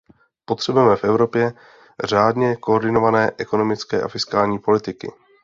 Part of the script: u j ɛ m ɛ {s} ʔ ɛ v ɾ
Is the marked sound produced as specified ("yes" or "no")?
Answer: no